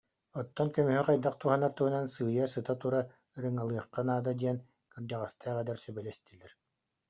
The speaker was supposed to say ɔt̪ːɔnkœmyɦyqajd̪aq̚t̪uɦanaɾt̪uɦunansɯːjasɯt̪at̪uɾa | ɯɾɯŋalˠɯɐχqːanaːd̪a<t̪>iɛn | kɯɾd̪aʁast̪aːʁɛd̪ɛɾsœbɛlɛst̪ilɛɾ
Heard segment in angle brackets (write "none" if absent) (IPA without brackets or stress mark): d̪